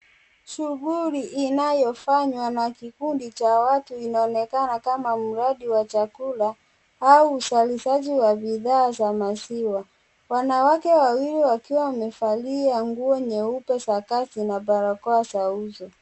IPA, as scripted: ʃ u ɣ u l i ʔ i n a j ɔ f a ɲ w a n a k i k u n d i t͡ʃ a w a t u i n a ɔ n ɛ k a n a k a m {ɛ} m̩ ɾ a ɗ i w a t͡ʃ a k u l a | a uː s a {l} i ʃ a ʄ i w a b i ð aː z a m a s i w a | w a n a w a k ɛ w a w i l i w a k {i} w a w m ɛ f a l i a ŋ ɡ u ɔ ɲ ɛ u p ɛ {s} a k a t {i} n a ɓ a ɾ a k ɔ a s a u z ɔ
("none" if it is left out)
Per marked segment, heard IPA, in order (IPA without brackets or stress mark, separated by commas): a, l, i, s, i